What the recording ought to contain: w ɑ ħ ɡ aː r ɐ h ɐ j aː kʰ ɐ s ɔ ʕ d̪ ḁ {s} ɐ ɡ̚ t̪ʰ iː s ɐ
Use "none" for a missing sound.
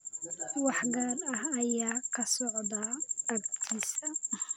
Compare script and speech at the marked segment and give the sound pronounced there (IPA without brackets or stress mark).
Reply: none